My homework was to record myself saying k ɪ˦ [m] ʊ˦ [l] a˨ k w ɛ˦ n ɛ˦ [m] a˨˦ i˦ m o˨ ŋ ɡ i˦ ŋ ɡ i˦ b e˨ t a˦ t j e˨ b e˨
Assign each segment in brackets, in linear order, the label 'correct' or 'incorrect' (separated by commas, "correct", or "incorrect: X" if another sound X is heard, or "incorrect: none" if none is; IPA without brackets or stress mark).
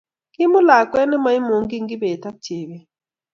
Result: correct, correct, correct